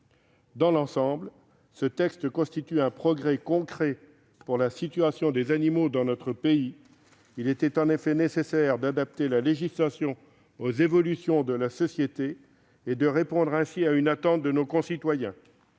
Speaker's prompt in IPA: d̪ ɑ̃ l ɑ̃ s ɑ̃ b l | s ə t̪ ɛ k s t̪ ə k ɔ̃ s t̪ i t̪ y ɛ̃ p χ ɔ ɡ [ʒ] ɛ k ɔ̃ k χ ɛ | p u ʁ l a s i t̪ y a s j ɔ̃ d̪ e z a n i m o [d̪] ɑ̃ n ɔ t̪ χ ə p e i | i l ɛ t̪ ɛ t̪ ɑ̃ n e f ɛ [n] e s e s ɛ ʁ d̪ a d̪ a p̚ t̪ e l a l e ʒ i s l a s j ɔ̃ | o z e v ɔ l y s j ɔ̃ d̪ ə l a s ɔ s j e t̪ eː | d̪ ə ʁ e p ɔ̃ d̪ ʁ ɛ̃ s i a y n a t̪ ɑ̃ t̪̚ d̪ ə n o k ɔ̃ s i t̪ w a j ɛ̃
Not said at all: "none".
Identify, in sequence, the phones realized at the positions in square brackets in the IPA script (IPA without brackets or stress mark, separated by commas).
ʁ, d̪, n